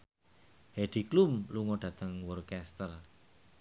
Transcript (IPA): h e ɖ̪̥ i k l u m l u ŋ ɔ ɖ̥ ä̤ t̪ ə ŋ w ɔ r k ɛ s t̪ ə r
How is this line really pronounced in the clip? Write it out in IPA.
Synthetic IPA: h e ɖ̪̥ i k l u m l u ŋ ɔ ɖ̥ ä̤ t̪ ə ŋ w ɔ r k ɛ s t̪ ə r